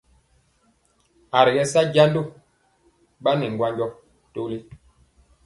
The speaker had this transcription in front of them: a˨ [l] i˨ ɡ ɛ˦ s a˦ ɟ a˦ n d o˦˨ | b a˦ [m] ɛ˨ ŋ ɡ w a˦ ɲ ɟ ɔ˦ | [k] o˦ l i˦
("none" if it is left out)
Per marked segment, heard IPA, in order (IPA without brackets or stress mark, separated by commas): ɾ, n, t